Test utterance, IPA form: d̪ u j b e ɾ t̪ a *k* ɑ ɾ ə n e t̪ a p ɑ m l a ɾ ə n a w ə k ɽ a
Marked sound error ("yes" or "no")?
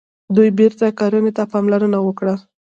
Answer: no